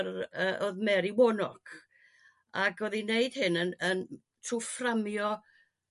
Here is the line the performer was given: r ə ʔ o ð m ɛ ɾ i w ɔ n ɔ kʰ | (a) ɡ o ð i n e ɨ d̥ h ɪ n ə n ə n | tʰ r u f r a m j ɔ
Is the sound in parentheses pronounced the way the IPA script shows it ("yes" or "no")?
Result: yes